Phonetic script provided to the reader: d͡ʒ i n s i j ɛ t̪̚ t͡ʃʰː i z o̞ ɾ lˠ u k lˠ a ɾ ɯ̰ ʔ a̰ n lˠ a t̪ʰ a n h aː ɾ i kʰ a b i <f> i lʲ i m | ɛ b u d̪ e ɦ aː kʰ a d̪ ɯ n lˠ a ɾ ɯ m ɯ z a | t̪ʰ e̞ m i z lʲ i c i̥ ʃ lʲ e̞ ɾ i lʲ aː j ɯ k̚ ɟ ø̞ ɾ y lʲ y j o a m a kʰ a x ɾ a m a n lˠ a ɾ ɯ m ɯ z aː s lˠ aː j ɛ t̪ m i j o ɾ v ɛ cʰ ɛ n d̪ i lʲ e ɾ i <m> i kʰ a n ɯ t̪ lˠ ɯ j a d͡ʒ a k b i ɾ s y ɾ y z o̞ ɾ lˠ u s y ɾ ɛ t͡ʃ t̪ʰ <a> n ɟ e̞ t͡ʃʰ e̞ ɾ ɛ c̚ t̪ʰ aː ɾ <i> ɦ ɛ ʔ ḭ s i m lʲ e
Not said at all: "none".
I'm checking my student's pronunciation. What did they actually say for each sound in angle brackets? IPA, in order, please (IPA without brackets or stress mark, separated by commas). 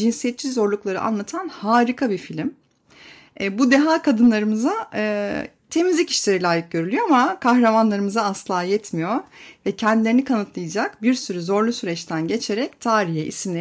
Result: f, n, æ, i